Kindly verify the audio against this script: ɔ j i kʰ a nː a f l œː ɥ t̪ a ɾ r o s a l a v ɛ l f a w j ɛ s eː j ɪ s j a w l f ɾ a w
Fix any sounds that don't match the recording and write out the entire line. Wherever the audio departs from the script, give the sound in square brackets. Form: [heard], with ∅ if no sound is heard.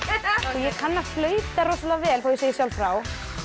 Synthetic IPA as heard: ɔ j [ɛ] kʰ a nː a f l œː ɥ t̪ a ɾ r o s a l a v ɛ l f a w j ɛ s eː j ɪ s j a w l f ɾ a w